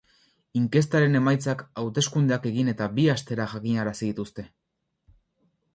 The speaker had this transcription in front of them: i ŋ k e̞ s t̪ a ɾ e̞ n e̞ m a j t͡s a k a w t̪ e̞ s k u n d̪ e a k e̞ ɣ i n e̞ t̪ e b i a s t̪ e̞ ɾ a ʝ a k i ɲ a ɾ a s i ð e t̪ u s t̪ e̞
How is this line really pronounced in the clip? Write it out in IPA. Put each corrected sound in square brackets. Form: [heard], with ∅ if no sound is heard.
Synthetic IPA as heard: i ŋ k e̞ s t̪ a ɾ e̞ n e̞ m a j t͡s a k a w t̪ e̞ s k u n d̪ e a k e̞ ɣ i n e̞ t̪ [a] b i a s t̪ e̞ ɾ a ʝ a k i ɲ a ɾ a s i ð [i] t̪ u s t̪ e̞